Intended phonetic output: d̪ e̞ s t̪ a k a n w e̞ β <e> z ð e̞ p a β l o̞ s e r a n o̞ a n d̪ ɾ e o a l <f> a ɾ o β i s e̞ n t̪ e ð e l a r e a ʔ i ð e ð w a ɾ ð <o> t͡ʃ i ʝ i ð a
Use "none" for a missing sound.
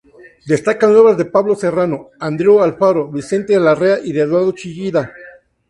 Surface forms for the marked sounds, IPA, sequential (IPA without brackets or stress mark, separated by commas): a, f, o